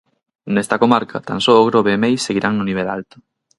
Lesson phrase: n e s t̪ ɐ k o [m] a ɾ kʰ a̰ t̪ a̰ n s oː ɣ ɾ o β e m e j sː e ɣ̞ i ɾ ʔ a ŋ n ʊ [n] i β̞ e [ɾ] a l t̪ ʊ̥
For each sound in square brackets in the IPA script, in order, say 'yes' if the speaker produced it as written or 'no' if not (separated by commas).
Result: yes, yes, no